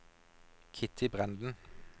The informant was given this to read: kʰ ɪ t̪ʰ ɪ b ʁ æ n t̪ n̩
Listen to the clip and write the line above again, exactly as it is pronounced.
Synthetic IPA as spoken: kʰ ɪ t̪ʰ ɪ b ʁ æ n d̪ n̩